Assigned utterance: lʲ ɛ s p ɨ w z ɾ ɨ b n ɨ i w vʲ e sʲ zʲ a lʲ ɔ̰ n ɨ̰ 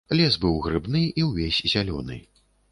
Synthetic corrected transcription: lʲ ɛ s b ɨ w ɣ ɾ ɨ b n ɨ i w vʲ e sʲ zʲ a lʲ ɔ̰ n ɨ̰